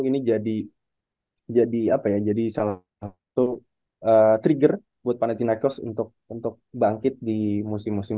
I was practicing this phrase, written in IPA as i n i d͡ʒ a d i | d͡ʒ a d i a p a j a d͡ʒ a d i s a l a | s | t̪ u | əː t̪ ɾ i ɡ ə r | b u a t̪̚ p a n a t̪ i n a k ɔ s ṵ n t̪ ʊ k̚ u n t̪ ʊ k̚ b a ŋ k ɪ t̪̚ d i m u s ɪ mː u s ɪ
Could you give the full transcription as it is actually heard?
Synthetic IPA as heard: i n i d͡ʒ a d i | d͡ʒ a d i a p a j a d͡ʒ a d i s a l a | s | t̪ u | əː t̪ ɾ i ɡ ə r | b u a t̪̚ p a n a t̪ i n a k ɔ s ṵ n t̪ ʊ k̚ u n t̪ ʊ k̚ b a ŋ k ɪ t̪̚ d i m u s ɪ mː u s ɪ